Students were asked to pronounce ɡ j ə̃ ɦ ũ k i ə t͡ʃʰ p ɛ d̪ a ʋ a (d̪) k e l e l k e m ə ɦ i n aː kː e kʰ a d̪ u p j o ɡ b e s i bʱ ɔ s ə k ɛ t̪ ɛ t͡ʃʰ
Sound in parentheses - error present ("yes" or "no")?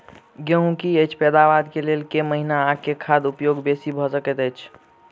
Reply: no